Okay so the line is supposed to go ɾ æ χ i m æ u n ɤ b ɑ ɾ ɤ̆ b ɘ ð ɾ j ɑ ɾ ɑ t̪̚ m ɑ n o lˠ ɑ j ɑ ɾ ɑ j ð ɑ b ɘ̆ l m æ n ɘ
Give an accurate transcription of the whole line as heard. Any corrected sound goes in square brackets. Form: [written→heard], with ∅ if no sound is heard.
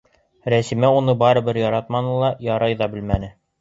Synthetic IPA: ɾ æ [χ→s] i m æ u n ɤ b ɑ ɾ ɤ̆ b ɘ [ð→∅] ɾ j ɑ ɾ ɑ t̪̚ m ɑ n [o→ɤ] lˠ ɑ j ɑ ɾ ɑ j ð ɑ b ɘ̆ l m æ n ɘ

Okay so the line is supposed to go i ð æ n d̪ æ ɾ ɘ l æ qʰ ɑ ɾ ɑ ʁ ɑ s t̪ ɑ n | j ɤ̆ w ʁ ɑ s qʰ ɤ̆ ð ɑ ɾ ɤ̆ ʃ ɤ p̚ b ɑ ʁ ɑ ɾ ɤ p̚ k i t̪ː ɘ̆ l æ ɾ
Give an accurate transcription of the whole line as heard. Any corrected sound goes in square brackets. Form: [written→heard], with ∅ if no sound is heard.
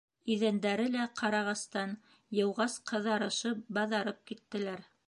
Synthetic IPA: i ð æ n d̪ æ ɾ ɘ l æ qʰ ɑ ɾ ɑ ʁ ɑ s t̪ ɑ n | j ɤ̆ w ʁ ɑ s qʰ ɤ̆ ð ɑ ɾ ɤ̆ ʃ ɤ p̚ b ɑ [ʁ→ð] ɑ ɾ ɤ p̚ k i t̪ː ɘ̆ l æ ɾ

